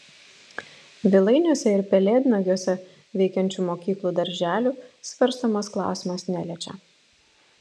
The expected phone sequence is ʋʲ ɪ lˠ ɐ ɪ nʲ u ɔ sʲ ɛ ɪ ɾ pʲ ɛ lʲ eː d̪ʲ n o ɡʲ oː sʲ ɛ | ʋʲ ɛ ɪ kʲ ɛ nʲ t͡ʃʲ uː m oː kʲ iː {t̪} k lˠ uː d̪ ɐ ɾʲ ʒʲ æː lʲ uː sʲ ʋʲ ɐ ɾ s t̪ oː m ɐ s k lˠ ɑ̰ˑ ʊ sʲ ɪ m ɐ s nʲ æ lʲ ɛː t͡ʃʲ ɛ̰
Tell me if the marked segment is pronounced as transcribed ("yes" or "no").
no